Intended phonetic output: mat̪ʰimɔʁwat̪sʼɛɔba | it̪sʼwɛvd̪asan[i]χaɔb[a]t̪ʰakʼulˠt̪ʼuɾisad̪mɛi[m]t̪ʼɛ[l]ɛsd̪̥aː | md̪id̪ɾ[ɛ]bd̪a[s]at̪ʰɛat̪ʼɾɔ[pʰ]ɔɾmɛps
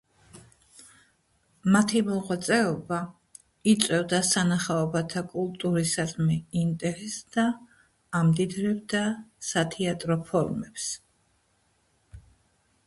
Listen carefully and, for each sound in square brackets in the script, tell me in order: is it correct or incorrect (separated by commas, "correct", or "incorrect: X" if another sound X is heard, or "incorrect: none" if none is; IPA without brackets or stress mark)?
incorrect: a, correct, incorrect: n, incorrect: ɾ, correct, correct, correct